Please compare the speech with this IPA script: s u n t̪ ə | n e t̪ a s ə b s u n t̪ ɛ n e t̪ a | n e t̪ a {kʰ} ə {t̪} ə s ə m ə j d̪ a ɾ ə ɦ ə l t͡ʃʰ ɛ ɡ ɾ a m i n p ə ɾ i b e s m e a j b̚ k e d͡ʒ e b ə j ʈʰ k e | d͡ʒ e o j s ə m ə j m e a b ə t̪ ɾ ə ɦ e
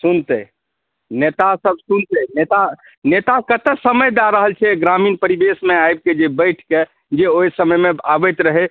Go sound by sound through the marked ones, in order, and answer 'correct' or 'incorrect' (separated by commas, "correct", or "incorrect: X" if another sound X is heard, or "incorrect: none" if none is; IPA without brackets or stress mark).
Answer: incorrect: k, correct